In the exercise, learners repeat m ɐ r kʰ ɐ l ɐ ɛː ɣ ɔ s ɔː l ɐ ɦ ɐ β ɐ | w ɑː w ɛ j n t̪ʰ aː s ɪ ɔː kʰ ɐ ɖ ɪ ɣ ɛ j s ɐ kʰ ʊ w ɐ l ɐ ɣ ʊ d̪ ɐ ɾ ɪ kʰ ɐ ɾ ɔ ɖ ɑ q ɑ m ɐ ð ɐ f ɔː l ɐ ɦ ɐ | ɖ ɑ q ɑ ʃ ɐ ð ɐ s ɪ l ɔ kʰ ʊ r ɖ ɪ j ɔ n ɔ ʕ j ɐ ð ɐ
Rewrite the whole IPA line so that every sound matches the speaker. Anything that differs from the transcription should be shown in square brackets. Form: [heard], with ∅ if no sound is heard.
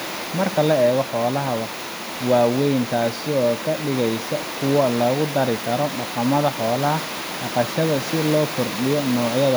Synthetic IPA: m ɐ r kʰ ɐ l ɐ ɛː ɣ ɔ [ħ] ɔː l ɐ ɦ ɐ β ɐ | w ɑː w ɛ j n t̪ʰ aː s ɪ ɔː kʰ ɐ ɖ ɪ ɣ ɛ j s ɐ kʰ ʊ w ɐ l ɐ ɣ ʊ d̪ ɐ ɾ ɪ kʰ ɐ ɾ ɔ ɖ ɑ q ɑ m ɐ ð ɐ [ħ] ɔː l ɐ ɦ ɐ | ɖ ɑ q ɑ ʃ ɐ ð ɐ s ɪ l [ɔː] kʰ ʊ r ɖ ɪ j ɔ n [ɔː] ʕ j ɐ ð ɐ

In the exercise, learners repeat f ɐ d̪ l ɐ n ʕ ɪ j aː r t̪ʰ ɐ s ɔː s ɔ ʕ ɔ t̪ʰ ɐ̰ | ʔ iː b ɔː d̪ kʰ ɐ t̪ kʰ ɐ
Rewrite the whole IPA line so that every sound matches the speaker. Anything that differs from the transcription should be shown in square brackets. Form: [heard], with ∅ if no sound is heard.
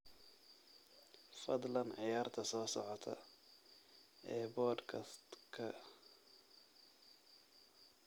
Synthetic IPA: f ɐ d̪ l ɐ n ʕ ɪ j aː r t̪ʰ ɐ s ɔː s ɔ ʕ ɔ t̪ʰ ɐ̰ | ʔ [ɛː] b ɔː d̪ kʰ ɐ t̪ kʰ ɐ

